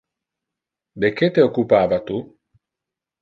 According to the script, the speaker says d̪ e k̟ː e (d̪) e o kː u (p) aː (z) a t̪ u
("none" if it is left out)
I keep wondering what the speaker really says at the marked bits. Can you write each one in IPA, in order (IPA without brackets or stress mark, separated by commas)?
t̪, p, v